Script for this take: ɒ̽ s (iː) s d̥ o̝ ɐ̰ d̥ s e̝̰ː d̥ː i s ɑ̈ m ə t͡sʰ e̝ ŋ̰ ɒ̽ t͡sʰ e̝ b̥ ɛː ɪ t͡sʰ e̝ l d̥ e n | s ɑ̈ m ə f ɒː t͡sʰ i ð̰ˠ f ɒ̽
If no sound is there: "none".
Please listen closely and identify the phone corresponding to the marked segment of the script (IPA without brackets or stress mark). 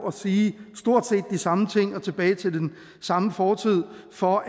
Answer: iː